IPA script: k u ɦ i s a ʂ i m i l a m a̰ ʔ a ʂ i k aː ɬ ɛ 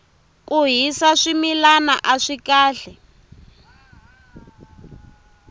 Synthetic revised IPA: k u ɦ i s a ʂ i m i l a n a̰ ʔ a ʂ i k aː ɬ ɛ